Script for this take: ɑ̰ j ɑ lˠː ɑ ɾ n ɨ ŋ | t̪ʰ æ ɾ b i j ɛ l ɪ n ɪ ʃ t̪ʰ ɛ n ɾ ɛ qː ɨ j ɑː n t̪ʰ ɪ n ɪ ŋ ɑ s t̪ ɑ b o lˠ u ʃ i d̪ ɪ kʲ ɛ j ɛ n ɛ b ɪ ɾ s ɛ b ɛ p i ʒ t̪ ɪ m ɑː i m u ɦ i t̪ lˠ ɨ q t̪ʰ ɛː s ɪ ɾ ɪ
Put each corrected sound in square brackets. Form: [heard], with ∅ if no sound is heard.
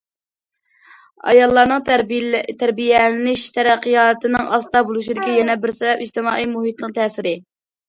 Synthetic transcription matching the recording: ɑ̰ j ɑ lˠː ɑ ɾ n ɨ ŋ | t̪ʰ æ ɾ b i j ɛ l ɪ n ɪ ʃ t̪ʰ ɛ [∅] ɾ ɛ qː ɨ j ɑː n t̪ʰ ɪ n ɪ ŋ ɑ s t̪ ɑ b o lˠ u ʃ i d̪ ɪ kʲ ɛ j ɛ n ɛ b ɪ ɾ s ɛ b ɛ p i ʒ t̪ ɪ m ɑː i m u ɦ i t̪ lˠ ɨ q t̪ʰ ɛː s ɪ ɾ ɪ